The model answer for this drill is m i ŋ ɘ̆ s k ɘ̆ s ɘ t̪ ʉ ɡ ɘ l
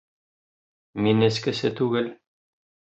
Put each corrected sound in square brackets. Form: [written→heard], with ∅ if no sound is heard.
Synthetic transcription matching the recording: m i [ŋ→n] ɘ̆ s k ɘ̆ s ɘ t̪ ʉ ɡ ɘ l